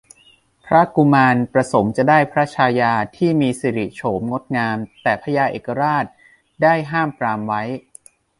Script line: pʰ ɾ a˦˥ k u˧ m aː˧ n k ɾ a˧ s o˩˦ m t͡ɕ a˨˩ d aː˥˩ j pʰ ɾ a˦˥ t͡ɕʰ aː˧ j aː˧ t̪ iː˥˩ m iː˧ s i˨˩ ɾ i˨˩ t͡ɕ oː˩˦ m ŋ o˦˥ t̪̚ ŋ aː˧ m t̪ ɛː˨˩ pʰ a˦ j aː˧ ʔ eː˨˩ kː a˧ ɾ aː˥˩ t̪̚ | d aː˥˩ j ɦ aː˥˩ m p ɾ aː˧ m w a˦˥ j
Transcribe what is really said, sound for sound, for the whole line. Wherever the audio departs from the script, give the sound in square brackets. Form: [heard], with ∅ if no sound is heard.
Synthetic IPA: pʰ ɾ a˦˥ k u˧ m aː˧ n [p] ɾ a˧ s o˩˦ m t͡ɕ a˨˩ d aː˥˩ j pʰ ɾ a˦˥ t͡ɕʰ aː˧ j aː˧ [t̪ʰ] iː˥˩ m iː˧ s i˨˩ ɾ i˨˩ [t͡ɕʰ] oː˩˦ m ŋ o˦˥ t̪̚ ŋ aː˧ m t̪ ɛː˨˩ pʰ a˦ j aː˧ ʔ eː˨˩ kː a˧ ɾ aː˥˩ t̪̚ | d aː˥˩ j ɦ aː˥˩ m p ɾ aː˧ m w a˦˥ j